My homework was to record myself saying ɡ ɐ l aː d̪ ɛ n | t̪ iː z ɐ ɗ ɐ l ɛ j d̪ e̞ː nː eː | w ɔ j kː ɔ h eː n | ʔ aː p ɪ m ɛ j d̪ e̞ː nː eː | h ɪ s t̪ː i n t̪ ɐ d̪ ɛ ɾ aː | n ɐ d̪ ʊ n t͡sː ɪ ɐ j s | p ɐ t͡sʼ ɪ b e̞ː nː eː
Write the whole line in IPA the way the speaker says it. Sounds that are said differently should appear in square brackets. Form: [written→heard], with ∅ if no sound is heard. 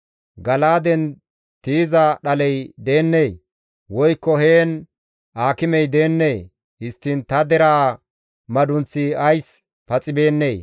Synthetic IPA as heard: ɡ ɐ l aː d̪ ɛ n | t̪ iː z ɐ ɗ ɐ l ɛ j d̪ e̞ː nː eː | w ɔ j kː ɔ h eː n | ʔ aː [p→k] ɪ m ɛ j d̪ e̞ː nː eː | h ɪ s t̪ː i n t̪ ɐ d̪ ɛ ɾ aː | [n→m] ɐ d̪ ʊ n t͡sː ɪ ɐ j s | p ɐ t͡sʼ ɪ b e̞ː nː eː